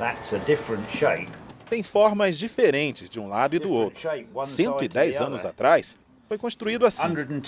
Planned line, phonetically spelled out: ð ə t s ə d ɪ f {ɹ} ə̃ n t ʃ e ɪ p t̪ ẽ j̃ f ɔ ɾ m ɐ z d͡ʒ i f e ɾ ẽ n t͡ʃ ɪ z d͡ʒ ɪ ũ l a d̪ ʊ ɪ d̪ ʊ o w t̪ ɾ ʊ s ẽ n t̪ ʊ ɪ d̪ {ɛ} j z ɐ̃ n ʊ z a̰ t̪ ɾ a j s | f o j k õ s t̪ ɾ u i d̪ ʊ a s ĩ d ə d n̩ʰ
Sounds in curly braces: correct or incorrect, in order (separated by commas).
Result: correct, correct